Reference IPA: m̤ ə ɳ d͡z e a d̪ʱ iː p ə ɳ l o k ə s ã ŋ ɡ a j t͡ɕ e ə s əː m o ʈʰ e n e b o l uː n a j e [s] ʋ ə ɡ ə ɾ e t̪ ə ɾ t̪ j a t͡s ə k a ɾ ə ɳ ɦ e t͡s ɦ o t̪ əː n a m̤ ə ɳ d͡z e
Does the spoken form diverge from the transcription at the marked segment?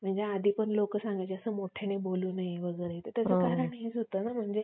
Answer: yes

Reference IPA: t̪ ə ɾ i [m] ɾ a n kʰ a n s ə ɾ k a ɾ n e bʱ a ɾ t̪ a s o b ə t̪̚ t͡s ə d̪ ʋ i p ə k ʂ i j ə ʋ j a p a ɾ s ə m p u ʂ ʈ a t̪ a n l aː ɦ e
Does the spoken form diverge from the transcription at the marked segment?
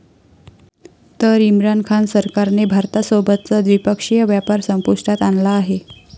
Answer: no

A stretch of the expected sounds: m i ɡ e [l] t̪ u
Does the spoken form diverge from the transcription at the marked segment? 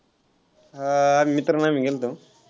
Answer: no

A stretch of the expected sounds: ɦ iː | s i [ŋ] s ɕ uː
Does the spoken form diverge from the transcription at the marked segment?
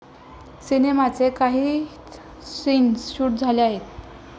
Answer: yes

